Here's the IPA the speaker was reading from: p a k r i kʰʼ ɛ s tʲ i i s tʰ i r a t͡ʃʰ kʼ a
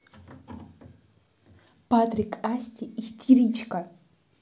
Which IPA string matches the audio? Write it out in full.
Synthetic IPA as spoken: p a t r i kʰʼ a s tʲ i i s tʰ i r i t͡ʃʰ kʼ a

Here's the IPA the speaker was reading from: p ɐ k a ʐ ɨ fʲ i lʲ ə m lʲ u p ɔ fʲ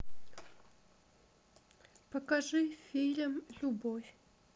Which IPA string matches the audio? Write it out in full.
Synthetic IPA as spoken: p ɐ k a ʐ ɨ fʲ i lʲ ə m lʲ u b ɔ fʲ

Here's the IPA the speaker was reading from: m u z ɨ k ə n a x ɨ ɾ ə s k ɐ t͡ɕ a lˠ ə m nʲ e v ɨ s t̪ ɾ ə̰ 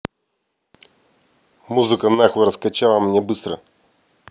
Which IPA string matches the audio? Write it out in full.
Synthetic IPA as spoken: m u z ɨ k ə n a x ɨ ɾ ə s k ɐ t͡ɕ a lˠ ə m nʲ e b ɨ s t̪ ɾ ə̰

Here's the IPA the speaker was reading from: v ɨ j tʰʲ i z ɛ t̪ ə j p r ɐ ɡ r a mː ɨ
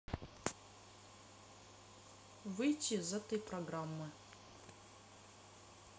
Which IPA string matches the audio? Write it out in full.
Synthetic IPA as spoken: v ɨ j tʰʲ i z ɛ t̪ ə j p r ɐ ɡ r a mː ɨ

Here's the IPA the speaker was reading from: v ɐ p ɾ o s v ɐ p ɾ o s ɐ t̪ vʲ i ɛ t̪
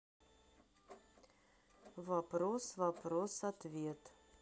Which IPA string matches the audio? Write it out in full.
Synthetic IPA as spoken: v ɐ p ɾ o s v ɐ p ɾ o s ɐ t̪ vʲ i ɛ t̪

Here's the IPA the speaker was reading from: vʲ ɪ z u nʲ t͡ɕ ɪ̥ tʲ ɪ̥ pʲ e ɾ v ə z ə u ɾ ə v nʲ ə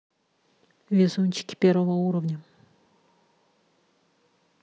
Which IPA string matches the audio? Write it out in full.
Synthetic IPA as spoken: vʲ ɪ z u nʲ t͡ɕ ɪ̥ kʲ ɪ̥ pʲ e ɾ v ə v ə u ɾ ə v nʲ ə

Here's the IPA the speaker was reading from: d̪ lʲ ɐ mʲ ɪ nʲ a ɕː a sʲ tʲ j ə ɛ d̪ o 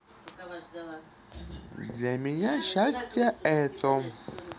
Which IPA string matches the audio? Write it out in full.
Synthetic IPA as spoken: d̪ lʲ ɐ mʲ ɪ nʲ a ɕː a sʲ tʲ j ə ɛ t̪ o

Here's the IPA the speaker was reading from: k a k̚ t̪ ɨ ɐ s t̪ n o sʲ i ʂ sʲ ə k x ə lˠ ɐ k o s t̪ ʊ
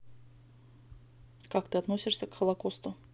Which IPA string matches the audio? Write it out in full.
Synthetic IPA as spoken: k a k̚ t̪ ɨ ɐ t̪ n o sʲ ɪ ʂ sʲ ə k x ə lˠ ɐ k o s t̪ ʊ

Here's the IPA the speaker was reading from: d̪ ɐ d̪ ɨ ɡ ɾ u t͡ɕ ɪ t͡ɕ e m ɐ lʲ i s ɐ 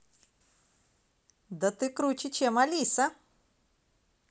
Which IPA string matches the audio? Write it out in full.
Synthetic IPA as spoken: d̪ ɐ t̪ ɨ k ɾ u t͡ɕ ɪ t͡ɕ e m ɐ lʲ i s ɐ

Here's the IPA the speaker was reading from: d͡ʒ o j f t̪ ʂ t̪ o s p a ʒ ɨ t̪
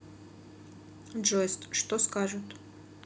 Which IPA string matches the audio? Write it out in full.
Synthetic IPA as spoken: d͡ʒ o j s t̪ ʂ t̪ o s k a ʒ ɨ t̪

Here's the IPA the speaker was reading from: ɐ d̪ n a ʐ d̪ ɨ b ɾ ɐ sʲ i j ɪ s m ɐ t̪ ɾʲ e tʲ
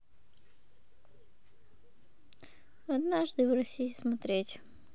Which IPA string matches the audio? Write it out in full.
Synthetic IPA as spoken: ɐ d̪ n a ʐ d̪ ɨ v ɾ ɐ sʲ i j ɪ s m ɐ t̪ ɾʲ e tʲ

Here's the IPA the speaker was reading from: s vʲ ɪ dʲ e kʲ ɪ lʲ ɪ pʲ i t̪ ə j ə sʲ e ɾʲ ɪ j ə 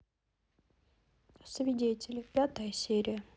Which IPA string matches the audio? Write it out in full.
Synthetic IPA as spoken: s vʲ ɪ dʲ e tʲ ɪ lʲ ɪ pʲ a t̪ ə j ə sʲ e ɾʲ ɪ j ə

